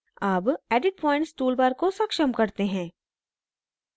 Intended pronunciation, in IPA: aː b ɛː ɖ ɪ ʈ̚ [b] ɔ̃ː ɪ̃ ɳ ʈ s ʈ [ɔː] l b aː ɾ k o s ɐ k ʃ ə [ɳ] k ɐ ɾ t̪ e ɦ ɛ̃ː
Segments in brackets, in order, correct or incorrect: incorrect: p, incorrect: uː, incorrect: m

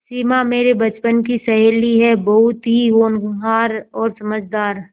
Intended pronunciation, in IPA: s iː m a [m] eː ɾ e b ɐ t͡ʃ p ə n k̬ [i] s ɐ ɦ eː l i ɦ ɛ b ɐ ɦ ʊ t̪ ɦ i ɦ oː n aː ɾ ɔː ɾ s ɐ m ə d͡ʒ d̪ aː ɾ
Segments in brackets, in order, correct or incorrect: correct, correct

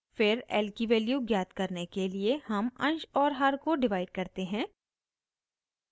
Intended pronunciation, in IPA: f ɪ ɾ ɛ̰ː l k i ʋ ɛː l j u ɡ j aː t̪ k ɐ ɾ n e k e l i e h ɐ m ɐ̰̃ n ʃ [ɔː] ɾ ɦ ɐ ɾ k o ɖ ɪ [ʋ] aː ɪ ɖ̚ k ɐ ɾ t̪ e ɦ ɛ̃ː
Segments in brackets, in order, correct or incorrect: correct, correct

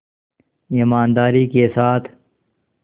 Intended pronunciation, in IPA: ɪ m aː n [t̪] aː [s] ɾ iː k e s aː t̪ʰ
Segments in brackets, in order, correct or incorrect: incorrect: d̪, incorrect: none

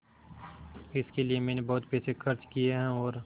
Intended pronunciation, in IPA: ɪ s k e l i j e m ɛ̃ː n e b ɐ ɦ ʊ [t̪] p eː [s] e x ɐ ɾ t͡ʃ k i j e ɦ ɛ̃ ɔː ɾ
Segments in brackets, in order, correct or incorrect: correct, correct

